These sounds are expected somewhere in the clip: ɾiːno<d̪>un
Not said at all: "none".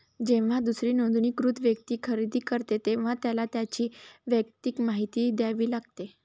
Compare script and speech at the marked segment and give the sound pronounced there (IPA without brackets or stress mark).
d̪